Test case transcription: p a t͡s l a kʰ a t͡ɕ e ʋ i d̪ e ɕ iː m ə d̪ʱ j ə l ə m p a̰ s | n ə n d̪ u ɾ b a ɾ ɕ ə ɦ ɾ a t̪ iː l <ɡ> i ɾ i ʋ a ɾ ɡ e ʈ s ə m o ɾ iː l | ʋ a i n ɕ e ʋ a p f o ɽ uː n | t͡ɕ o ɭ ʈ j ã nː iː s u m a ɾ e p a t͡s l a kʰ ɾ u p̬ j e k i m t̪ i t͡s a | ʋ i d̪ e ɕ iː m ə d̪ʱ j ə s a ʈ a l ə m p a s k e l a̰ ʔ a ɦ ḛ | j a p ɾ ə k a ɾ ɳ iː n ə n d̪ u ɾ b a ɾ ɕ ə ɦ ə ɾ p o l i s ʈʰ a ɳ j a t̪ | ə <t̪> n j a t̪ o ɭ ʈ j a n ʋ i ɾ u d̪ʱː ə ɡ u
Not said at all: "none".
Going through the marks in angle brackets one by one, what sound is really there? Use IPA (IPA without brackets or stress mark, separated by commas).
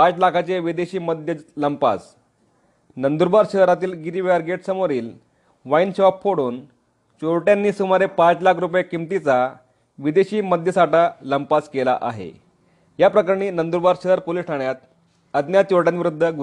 ɡ, d̪